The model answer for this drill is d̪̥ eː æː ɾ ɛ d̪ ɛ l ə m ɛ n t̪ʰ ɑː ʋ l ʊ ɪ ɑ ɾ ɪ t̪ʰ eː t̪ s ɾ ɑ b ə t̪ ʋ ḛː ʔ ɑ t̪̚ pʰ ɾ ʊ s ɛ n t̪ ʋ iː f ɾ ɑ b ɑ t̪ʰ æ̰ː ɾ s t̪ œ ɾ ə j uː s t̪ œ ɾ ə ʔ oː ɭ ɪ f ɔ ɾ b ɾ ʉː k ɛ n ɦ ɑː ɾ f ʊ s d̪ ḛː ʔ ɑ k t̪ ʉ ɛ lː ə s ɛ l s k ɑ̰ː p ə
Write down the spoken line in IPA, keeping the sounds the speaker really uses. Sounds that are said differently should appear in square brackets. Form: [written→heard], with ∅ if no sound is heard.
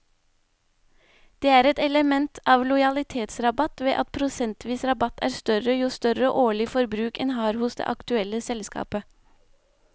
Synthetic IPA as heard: d̪̥ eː æː ɾ ɛ [d̪→t̪] ɛ l ə m ɛ n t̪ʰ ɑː ʋ l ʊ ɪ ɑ [ɾ→l] ɪ t̪ʰ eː t̪ s ɾ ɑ b [ə→ɑ] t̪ ʋ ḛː ʔ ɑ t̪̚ pʰ ɾ ʊ s ɛ n t̪ ʋ iː [f→s] ɾ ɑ b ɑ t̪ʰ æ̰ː ɾ s t̪ œ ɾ ə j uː s t̪ œ ɾ ə ʔ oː ɭ ɪ f ɔ ɾ b ɾ ʉː k ɛ n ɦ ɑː ɾ [f→h] ʊ s d̪ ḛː ʔ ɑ k t̪ ʉ ɛ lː ə s ɛ l s k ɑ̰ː p ə